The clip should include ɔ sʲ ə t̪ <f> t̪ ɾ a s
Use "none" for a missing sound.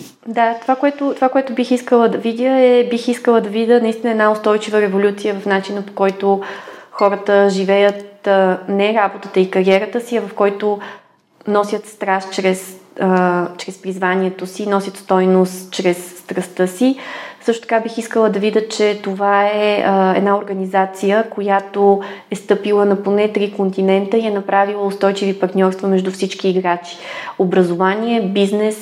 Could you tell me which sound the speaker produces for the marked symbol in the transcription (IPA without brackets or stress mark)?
s